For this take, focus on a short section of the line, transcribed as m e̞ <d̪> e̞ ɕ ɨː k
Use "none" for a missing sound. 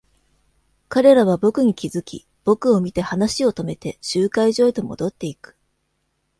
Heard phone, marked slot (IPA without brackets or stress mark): t̪